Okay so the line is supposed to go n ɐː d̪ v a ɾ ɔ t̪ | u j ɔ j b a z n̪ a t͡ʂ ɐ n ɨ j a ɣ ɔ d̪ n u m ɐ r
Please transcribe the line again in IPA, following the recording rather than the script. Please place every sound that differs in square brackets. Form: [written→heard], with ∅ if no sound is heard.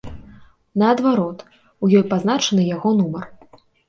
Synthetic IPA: n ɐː d̪ v a ɾ ɔ t̪ | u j ɔ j [b→p] a z n̪ a t͡ʂ ɐ n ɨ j a ɣ ɔ [d̪→∅] n u m ɐ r